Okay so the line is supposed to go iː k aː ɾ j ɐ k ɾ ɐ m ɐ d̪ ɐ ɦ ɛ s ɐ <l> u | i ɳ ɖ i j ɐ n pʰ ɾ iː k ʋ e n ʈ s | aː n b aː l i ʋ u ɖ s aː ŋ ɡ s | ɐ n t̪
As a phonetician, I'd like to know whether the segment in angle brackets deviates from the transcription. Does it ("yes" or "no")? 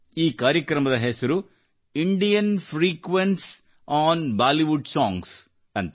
yes